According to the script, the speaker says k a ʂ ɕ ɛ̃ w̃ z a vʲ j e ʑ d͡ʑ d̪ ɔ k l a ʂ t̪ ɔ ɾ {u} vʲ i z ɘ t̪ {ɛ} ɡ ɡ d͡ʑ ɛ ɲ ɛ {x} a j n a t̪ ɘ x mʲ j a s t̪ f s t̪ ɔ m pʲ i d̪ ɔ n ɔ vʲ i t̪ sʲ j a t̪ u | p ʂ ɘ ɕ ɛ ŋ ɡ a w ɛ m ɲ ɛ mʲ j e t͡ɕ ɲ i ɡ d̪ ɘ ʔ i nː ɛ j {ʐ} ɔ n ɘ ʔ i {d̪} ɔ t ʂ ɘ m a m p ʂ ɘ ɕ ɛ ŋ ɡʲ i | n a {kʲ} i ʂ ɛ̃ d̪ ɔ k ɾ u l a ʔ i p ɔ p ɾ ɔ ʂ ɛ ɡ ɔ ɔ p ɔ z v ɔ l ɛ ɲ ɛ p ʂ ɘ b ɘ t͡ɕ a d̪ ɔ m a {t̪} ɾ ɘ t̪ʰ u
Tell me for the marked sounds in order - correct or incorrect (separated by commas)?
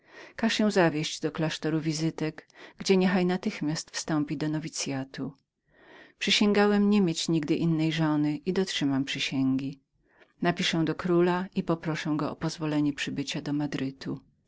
correct, correct, correct, correct, correct, incorrect, incorrect